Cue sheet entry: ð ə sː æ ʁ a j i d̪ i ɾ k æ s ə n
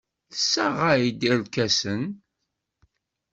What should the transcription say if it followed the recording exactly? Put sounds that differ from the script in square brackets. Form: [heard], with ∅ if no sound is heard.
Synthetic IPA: [θ] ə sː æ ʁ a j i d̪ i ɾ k æ s ə n